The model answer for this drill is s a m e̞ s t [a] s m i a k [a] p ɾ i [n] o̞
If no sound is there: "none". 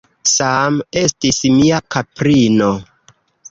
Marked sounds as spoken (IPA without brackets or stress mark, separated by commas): i, a, n